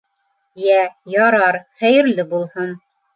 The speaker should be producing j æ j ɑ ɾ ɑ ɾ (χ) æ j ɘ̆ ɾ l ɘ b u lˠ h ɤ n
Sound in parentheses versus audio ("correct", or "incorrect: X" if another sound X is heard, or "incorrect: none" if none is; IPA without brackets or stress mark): correct